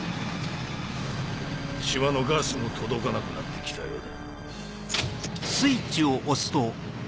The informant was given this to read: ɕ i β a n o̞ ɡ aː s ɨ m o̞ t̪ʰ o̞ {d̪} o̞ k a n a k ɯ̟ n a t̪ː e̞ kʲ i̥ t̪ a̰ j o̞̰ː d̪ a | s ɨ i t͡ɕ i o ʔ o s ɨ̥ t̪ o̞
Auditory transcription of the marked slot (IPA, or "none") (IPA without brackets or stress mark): d̪